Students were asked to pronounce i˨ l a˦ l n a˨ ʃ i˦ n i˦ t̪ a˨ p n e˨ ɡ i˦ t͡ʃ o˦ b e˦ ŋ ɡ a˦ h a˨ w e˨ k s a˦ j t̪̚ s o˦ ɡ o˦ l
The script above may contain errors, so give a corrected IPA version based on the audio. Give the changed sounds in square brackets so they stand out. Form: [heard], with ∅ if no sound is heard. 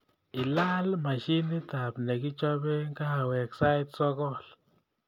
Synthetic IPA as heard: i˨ l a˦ l [m] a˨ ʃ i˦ n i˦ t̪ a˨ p n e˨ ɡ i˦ t͡ʃ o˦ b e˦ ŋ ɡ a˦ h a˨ w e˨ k s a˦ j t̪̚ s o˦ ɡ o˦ l